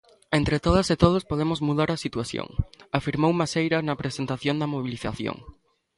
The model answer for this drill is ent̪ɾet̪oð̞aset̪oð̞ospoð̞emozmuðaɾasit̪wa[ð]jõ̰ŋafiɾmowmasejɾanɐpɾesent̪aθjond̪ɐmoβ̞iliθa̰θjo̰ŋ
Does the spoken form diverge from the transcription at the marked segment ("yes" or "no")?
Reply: yes